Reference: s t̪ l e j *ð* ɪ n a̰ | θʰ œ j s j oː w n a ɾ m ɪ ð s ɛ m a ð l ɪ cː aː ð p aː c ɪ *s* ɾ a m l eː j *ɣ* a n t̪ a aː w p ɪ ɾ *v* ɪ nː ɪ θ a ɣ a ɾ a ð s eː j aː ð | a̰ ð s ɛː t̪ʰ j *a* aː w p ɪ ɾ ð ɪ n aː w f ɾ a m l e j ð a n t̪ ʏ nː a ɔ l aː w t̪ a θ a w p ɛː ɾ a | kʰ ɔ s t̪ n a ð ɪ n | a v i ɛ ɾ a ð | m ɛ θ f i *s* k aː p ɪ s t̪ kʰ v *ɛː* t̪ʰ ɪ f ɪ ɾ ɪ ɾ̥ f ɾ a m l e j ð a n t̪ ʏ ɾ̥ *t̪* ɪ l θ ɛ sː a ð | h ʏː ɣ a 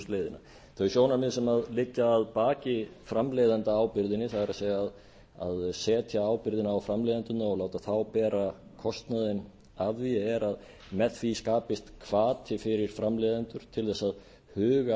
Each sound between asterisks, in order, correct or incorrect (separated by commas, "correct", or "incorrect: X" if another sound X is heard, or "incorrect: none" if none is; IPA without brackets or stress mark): correct, incorrect: f, incorrect: ð, incorrect: ð, correct, correct, incorrect: aː, incorrect: t̪ʰ